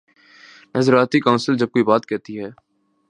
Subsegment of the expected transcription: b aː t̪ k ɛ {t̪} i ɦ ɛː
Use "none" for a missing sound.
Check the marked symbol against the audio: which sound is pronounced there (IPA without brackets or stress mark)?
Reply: t̪